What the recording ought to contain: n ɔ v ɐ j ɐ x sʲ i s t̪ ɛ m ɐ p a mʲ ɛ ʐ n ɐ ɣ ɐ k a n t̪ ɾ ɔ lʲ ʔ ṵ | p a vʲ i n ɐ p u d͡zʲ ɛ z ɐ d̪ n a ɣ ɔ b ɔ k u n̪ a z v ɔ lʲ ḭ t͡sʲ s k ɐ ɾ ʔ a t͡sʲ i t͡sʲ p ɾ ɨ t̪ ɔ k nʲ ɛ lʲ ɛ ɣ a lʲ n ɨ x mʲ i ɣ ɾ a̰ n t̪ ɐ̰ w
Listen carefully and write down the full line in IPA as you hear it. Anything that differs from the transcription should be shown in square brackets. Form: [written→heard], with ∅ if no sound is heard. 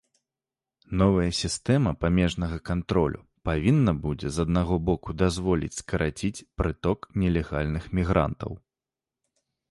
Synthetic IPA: n ɔ v ɐ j ɐ [x→∅] sʲ i s t̪ ɛ m ɐ p a mʲ ɛ ʐ n ɐ ɣ ɐ k a n t̪ ɾ ɔ lʲ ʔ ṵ | p a vʲ i [n→nː] ɐ [p→b] u d͡zʲ ɛ z ɐ d̪ n a ɣ ɔ b ɔ k u [n̪→d̪] a z v ɔ lʲ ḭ t͡sʲ s k ɐ ɾ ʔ a t͡sʲ i t͡sʲ p ɾ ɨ t̪ ɔ k nʲ ɛ lʲ ɛ ɣ a lʲ n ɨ x mʲ i ɣ ɾ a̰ n t̪ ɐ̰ w